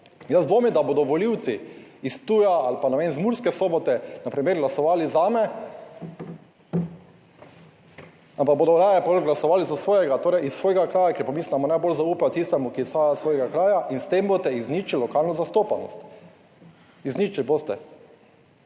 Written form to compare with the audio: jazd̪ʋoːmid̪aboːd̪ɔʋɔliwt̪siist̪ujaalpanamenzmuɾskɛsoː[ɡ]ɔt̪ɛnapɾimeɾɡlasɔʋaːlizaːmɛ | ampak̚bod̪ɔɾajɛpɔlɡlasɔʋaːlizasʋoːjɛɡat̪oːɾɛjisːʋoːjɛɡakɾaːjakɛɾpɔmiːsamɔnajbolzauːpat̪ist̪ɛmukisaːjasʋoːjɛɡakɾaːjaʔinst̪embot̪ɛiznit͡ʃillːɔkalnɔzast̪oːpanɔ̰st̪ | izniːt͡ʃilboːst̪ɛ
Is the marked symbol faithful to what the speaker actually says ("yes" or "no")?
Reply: no